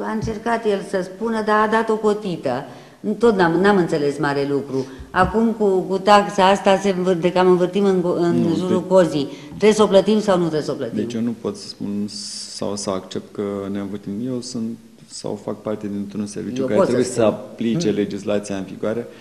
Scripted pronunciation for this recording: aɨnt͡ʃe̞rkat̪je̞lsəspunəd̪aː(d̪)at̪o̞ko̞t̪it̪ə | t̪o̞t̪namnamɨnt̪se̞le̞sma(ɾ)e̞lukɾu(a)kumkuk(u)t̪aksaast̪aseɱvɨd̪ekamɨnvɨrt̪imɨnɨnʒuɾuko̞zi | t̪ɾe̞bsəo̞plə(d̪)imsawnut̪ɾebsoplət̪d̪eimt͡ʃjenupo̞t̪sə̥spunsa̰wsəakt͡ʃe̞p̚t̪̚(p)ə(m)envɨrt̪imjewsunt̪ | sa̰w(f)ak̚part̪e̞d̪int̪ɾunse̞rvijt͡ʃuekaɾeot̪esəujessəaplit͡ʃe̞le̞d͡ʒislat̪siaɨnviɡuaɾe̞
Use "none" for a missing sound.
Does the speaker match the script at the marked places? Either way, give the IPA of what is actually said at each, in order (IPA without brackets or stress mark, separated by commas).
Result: d̪, ɾ, a, u, t̪, k, n, f